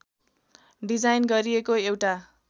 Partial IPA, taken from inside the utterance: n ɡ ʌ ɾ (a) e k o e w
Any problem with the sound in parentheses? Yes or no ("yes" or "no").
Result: yes